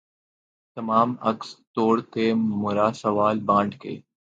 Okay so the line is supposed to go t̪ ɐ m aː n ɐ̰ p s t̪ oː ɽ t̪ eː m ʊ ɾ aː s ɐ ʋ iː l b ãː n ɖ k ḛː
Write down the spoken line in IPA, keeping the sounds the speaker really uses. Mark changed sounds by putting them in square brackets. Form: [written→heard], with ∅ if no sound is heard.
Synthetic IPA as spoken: t̪ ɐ m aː [n→m] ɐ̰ [p→k] s t̪ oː ɽ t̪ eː m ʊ ɾ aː s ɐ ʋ [iː→aː] l b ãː [n→ɳ] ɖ k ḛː

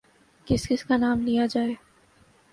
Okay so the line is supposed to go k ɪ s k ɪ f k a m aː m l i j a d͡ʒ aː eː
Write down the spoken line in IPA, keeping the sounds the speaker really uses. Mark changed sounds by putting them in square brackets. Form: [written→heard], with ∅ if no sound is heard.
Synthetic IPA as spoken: k ɪ s k ɪ [f→s] k a [m→n] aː m l i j a d͡ʒ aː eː

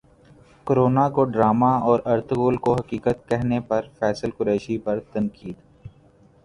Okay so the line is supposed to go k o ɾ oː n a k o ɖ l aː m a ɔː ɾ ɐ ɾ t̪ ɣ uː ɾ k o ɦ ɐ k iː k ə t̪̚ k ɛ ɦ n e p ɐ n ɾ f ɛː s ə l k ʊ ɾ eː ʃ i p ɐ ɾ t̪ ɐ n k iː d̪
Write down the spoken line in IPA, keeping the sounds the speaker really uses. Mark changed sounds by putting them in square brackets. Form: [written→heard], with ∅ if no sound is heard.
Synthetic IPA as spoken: k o ɾ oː n a k o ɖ [l→ɾ] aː m a ɔː ɾ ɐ ɾ t̪ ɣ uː [ɾ→l] k o ɦ ɐ k iː k ə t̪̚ k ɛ ɦ n e p ɐ [n→∅] ɾ f ɛː s ə l k ʊ ɾ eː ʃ i p ɐ ɾ t̪ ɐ n k iː d̪

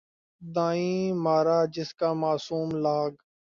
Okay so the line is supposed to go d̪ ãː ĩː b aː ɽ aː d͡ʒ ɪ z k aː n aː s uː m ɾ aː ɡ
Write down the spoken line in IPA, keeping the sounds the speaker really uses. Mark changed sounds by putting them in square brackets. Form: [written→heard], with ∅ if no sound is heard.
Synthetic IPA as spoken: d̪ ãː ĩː [b→m] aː [ɽ→ɾ] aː d͡ʒ ɪ [z→s] k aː [n→m] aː s uː m [ɾ→l] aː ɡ

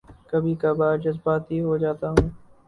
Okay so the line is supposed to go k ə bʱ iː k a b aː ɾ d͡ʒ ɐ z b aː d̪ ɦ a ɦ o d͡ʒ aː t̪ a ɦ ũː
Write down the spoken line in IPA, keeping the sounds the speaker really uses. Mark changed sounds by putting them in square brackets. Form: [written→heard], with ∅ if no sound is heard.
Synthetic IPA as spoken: k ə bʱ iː k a b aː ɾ d͡ʒ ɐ z b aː [d̪→t̪] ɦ [a→i] ɦ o d͡ʒ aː t̪ a ɦ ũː

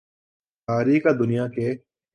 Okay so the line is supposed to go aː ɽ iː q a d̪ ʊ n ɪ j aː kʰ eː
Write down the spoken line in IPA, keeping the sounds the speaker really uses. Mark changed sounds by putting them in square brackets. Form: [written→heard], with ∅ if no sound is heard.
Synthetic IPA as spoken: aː [ɽ→ɾ] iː [q→k] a d̪ ʊ n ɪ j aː [kʰ→k] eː

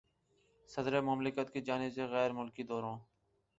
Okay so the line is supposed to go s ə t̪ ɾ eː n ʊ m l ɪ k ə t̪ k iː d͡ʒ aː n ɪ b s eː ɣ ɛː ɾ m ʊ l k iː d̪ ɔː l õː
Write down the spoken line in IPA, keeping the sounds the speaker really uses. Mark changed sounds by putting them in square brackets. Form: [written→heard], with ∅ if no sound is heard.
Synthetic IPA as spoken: s ə [t̪→d̪] ɾ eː [n→m] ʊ m l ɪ k ə t̪ k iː d͡ʒ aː n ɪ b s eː ɣ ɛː ɾ m ʊ l k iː d̪ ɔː [l→ɾ] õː

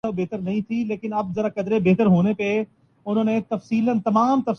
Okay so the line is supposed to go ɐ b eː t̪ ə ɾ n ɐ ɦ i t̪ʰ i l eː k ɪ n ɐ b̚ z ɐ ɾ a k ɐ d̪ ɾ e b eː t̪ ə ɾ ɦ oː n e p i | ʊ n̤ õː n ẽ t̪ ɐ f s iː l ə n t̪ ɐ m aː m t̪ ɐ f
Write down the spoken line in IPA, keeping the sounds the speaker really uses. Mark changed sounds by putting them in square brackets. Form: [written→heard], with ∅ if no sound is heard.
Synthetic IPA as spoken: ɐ b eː t̪ ə ɾ n ɐ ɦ [i→ĩ] t̪ʰ i l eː k ɪ n ɐ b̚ z ɐ ɾ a k ɐ d̪ ɾ e b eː t̪ ə ɾ ɦ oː n e p [i→e] | ʊ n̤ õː n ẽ t̪ ɐ f s iː l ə n t̪ ɐ m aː m t̪ ɐ f

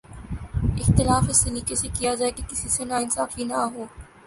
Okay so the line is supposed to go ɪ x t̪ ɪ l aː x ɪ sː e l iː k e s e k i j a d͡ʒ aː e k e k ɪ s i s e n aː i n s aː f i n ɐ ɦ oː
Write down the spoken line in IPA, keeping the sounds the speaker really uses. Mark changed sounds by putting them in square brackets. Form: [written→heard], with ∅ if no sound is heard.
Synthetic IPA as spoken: ɪ x t̪ ɪ l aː [x→f] ɪ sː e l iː k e s e k i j a d͡ʒ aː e k e k ɪ s i s e n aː [i→ɪ] n s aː f i n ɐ ɦ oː

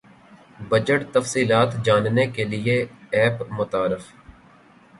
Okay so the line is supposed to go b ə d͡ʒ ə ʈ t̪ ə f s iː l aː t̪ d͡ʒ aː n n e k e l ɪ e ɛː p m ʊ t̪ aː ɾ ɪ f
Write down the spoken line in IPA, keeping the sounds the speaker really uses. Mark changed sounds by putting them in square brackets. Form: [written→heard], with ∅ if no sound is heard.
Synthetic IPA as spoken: b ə d͡ʒ ə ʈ t̪ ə f s iː l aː t̪ d͡ʒ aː n n e k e l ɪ e ɛː p m ʊ t̪ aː ɾ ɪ f

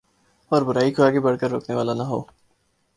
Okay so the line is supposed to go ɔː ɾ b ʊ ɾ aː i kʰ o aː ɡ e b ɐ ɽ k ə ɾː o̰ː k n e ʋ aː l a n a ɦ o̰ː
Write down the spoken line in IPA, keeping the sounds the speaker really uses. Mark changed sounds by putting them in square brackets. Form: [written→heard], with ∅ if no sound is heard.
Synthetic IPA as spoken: ɔː ɾ b ʊ ɾ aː i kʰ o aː ɡ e b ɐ ɽ k ə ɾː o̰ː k n e ʋ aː l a n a ɦ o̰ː

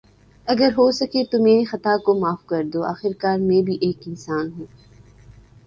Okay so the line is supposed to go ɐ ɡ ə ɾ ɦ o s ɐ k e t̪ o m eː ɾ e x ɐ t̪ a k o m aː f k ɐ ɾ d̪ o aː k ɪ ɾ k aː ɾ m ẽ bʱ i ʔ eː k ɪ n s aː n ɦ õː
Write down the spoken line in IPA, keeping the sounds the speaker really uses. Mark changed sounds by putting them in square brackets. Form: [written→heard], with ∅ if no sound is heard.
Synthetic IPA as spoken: ɐ ɡ ə ɾ ɦ o s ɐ k e t̪ o m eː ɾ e x ɐ t̪ a k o m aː f k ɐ ɾ d̪ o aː [k→x] ɪ ɾ k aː ɾ m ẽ bʱ i ʔ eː k ɪ n s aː n ɦ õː

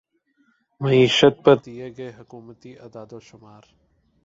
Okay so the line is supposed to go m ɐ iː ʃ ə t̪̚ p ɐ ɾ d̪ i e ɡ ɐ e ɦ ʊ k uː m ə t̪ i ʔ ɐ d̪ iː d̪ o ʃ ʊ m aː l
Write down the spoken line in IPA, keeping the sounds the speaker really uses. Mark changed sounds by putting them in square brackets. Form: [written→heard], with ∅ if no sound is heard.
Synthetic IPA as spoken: m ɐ iː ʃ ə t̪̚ p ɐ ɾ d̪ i e ɡ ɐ e ɦ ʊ k uː m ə t̪ i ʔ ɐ d̪ [iː→aː] d̪ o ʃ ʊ m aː [l→ɾ]

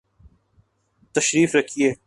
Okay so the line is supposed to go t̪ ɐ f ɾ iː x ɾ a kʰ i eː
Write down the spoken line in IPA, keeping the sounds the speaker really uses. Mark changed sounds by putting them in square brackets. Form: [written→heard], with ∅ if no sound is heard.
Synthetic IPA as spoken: t̪ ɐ [f→ʃ] ɾ iː [x→f] ɾ [a→ɐ] kʰ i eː

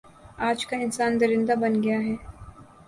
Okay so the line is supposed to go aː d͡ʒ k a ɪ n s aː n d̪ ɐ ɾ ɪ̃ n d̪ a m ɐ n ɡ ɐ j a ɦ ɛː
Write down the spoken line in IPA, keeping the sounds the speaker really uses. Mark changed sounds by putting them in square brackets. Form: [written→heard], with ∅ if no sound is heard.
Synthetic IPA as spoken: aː d͡ʒ k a ɪ n s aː n d̪ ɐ ɾ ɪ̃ n d̪ a [m→b] ɐ n ɡ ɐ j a ɦ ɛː

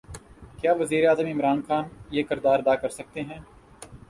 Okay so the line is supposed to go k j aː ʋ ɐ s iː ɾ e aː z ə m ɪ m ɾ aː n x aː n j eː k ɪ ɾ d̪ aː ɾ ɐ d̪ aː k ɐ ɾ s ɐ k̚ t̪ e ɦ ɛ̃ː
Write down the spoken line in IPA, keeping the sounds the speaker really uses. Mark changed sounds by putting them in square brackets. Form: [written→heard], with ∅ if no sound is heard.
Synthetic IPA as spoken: k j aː ʋ ɐ [s→z] iː ɾ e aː z ə m ɪ m ɾ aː n x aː n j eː k ɪ ɾ d̪ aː ɾ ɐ d̪ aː k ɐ ɾ s ɐ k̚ t̪ e ɦ ɛ̃ː

